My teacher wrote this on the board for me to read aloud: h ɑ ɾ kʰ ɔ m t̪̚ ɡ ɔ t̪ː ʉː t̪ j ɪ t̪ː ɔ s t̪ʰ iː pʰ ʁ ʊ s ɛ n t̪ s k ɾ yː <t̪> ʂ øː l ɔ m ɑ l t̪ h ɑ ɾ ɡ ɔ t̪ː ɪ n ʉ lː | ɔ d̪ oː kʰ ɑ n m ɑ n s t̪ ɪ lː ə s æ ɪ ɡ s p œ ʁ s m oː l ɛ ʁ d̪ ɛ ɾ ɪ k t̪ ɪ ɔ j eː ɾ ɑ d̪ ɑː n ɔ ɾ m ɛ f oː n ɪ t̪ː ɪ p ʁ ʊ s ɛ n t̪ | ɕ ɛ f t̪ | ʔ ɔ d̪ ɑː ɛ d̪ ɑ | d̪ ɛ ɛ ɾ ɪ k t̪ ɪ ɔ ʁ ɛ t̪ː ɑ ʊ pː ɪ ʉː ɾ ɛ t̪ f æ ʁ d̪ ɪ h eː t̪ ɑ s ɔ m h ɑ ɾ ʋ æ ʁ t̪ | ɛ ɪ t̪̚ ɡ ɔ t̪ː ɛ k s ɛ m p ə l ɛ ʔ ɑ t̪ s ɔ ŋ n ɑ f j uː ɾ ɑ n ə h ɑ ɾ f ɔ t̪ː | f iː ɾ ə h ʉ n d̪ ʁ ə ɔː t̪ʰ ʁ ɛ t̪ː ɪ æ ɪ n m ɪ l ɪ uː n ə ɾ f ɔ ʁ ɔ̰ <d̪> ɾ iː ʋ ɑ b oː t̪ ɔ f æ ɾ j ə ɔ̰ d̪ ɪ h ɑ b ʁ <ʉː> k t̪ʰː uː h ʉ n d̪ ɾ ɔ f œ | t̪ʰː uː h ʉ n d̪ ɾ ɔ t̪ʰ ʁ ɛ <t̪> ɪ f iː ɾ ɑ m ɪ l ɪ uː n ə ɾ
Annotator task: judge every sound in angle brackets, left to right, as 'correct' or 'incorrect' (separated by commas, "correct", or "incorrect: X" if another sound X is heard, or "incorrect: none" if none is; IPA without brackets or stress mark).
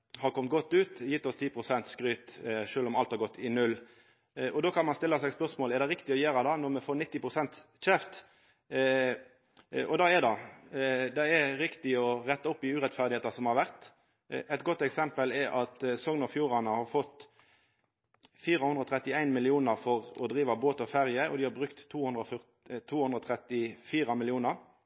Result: correct, correct, incorrect: ʉ, correct